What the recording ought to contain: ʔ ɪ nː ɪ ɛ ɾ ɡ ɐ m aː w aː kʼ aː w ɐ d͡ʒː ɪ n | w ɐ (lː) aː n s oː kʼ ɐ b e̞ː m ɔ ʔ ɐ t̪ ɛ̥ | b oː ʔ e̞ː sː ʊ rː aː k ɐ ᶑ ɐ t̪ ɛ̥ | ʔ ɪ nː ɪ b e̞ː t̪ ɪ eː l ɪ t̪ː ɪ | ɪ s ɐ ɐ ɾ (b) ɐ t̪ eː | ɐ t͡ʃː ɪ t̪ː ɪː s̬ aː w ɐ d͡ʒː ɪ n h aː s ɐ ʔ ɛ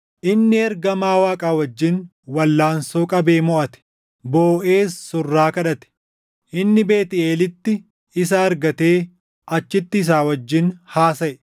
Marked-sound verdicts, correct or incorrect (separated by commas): correct, incorrect